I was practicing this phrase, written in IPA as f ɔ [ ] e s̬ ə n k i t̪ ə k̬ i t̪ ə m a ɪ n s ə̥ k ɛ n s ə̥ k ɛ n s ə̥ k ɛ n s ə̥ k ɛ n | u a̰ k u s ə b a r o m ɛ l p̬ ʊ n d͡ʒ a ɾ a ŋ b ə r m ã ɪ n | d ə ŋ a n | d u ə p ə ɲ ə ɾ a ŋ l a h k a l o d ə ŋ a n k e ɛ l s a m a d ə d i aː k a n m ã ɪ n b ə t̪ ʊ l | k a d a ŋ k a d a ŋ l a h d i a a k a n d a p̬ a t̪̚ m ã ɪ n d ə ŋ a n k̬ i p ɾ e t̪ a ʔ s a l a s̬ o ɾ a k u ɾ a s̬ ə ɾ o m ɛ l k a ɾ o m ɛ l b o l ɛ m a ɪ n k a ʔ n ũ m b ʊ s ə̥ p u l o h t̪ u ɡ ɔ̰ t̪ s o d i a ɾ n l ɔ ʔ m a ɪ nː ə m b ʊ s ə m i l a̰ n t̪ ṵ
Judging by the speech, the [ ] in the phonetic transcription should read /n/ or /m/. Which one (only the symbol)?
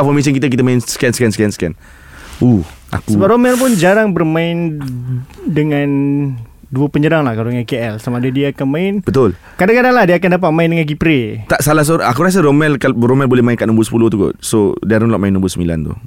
m